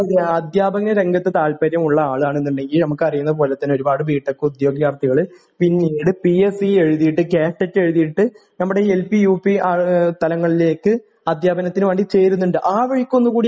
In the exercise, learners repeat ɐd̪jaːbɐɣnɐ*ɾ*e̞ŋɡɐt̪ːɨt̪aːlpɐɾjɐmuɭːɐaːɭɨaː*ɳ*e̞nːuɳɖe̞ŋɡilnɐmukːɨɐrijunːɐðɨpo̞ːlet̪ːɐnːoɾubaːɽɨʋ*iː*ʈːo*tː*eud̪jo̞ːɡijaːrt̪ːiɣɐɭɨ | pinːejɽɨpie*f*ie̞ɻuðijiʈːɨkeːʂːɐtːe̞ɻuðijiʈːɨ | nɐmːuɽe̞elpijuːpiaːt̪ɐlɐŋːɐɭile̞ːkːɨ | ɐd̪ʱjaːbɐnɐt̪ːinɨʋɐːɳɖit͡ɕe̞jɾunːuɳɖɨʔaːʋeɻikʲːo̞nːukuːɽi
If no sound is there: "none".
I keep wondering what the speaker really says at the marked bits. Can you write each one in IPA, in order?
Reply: ɾ, ɳ, iː, kː, s

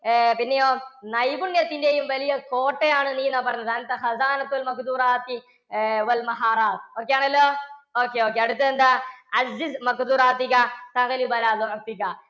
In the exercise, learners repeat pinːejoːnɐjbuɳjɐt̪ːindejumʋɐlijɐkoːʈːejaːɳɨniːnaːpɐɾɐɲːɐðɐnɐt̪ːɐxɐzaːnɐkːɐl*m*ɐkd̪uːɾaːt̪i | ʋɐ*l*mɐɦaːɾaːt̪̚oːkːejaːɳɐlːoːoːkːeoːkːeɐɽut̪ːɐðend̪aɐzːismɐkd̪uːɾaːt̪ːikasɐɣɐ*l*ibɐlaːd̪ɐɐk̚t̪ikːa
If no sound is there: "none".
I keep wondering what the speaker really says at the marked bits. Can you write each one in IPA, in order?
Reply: m, l, l

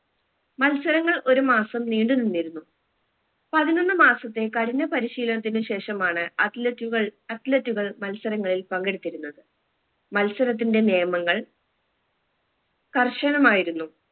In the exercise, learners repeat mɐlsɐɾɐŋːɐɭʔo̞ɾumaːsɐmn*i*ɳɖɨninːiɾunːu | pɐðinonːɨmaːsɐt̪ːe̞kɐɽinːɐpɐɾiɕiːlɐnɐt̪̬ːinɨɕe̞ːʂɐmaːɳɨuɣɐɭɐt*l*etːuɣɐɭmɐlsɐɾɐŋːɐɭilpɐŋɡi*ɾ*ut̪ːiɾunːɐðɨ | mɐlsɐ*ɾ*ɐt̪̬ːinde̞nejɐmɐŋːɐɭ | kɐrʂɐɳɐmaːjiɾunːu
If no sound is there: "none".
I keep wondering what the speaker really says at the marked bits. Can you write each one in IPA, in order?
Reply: iː, l, ɽ, ɾ

